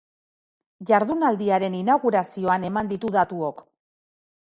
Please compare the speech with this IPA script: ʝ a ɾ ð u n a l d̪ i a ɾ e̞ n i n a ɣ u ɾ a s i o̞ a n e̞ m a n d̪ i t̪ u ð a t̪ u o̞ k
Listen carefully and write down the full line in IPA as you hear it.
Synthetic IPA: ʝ a ɾ ð u n a l d̪ i a ɾ e̞ n i n a ɣ u ɾ a s i o̞ a n e̞ m a n d̪ i t̪ u ð a t̪ u o̞ k